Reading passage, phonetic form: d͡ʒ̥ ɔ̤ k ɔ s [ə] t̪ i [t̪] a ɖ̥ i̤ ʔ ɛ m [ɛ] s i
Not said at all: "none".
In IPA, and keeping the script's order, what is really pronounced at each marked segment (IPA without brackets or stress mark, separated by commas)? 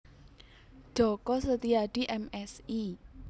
ə, none, ɛ